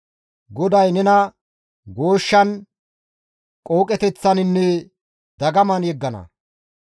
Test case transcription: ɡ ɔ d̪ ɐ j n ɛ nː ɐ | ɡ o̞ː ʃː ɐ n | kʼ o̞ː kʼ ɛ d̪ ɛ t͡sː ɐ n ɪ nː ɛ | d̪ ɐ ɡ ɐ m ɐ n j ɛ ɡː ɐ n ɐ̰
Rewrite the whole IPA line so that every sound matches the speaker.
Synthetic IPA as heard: ɡ ɔ d̪ ɐ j n ɛ n ɐ | ɡ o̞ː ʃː ɐ n | kʼ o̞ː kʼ ɛ t̪ ɛ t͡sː ɐ n ɪ nː ɛ | d̪ ɐ ɡ ɐ m ɐ n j ɛ ɡː ɐ n ɐ̰